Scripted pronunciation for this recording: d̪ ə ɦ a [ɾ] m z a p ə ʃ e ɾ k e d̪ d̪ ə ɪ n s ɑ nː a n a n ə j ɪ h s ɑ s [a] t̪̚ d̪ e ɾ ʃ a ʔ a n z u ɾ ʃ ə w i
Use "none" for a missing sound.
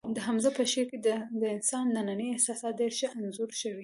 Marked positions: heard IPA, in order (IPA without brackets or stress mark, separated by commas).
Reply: none, ɑ